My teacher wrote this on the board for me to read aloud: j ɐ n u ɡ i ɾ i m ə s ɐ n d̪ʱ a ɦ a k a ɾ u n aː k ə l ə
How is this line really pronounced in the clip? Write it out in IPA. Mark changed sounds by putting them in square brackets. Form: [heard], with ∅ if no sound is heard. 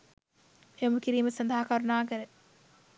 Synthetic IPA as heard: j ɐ [m] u [k] i ɾ [iː] m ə s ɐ n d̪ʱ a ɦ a k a ɾ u n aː k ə [ɾ] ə